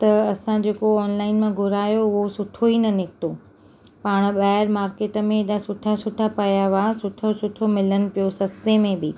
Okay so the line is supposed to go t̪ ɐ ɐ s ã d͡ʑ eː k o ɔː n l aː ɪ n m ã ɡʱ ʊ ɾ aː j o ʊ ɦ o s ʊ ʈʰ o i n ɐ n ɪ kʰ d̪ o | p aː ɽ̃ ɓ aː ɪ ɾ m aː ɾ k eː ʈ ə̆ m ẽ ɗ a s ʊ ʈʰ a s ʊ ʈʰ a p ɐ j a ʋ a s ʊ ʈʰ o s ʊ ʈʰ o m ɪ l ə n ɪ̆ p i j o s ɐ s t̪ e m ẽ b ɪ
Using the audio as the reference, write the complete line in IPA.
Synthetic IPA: t̪ ɐ ɐ s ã d͡ʑ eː k o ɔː n l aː ɪ n m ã ɡʱ ʊ ɾ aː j o ʊ ɦ o s ʊ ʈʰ o i n ɐ n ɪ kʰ t̪ o | p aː ɽ̃ ɓ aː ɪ ɾ m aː ɾ k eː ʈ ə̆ m ẽ ɗ a s ʊ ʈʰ a s ʊ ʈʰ a p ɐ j a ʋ a s ʊ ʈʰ o s ʊ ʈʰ o m ɪ l ə n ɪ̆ p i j o s ɐ s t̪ e m ẽ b ɪ

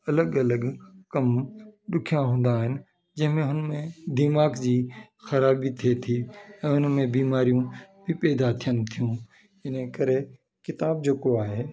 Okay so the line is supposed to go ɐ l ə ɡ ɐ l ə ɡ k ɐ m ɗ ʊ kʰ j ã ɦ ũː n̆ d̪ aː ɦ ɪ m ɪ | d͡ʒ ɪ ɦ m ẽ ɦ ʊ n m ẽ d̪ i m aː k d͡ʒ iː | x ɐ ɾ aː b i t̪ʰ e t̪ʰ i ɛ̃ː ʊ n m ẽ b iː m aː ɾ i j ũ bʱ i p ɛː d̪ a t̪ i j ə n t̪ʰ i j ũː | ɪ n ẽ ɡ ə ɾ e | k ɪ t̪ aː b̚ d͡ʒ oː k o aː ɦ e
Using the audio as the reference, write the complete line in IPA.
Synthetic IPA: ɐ l ə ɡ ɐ l ə ɡ k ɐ m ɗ ʊ kʰ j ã ɦ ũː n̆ d̪ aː ɦ ɪ n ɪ | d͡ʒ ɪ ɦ m ẽ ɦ ʊ n m ẽ d̪ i m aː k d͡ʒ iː | x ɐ ɾ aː b i t̪ʰ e t̪ʰ i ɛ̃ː ʊ n m ẽ b iː m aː ɾ i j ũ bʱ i p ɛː d̪ a t̪ʰ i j ə n t̪ʰ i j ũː | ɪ n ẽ k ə ɾ e | k ɪ t̪ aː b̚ d͡ʒ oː k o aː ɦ e

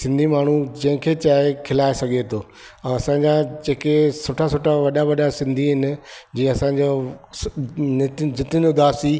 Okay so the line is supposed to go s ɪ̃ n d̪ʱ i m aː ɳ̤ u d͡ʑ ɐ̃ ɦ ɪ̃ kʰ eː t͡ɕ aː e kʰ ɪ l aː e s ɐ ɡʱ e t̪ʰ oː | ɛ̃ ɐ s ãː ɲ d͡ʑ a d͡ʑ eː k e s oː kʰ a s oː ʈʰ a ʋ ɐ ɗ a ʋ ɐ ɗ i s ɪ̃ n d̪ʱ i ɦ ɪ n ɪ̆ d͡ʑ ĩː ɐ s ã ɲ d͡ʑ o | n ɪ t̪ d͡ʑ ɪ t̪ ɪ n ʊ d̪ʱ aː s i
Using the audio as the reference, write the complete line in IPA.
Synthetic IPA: s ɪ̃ n d̪ʱ i m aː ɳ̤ u d͡ʑ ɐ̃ ɦ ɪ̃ kʰ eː t͡ɕ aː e kʰ ɪ l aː e s ɐ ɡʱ e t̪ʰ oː | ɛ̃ ɐ s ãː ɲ d͡ʑ a d͡ʑ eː k e s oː ʈʰ a s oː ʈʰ a ʋ ɐ ɗ a ʋ ɐ ɗ a s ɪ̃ n d̪ʱ i ɦ ɪ n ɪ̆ d͡ʑ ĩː ɐ s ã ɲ d͡ʑ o | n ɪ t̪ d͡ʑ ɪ t̪ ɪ n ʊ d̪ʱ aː s i

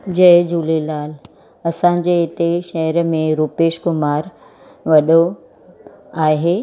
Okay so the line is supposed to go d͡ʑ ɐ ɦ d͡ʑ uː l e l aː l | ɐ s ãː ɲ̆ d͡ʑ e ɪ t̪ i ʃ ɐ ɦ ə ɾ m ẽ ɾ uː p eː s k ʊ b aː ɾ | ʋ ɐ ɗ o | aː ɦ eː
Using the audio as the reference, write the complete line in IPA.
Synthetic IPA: d͡ʑ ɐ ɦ d͡ʑ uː l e l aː l | ɐ s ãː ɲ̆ d͡ʑ e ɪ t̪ e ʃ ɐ ɦ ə ɾ m ẽ ɾ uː p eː ʃ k ʊ m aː ɾ | ʋ ɐ ɗ o | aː ɦ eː

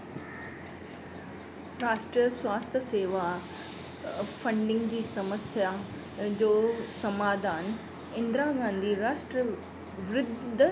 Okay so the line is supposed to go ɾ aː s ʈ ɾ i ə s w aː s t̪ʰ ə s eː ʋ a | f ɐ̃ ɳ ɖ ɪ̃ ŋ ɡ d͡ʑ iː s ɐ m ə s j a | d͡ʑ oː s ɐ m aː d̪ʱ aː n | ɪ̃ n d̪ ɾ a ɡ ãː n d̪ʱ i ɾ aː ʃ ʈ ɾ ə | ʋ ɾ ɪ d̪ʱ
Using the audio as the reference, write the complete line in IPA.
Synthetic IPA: ɾ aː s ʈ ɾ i ə s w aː s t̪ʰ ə s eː ʋ a | f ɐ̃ ɳ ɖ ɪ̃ ŋ ɡ d͡ʑ iː s ɐ m ə s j a | d͡ʑ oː s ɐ m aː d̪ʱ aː n | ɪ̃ n d̪ ɾ a ɡ ãː n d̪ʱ i ɾ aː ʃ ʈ ɾ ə | ʋ ɾ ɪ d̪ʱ

